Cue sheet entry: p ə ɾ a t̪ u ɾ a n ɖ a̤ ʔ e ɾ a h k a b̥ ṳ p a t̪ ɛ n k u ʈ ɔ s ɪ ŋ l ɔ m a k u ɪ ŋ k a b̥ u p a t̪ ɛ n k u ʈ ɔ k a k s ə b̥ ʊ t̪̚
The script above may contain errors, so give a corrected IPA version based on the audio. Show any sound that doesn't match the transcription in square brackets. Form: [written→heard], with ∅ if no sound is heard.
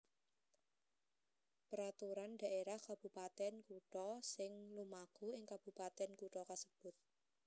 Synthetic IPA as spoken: p ə ɾ a t̪ u ɾ a n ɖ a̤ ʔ e ɾ a h k a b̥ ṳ p a t̪ ɛ n k u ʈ ɔ s ɪ ŋ l [ɔ→u] m a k u ɪ ŋ k a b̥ u p a t̪ ɛ n k u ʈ ɔ k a [k→∅] s ə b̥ ʊ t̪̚